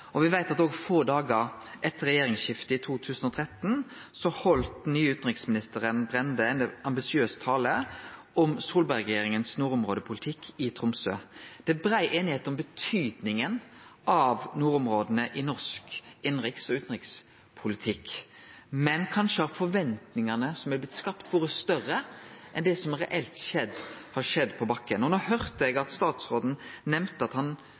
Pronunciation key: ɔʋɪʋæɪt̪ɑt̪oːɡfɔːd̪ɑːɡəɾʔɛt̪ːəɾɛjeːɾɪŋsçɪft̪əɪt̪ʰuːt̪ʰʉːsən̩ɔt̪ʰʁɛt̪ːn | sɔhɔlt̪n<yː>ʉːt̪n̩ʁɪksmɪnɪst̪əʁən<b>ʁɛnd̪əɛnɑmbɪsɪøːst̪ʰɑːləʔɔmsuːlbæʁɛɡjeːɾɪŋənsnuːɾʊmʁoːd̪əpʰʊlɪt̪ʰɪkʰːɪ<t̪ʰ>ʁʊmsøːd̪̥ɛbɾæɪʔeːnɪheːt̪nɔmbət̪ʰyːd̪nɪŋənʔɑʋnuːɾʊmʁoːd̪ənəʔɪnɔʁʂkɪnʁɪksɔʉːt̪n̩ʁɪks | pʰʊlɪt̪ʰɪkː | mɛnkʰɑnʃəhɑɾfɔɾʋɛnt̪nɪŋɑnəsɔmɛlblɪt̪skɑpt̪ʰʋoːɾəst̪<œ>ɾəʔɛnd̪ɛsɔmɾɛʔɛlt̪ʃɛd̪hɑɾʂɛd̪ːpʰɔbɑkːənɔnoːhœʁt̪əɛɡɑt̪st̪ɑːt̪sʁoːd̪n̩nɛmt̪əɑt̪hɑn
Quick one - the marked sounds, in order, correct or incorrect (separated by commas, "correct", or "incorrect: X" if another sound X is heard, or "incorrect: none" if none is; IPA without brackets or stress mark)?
correct, correct, correct, correct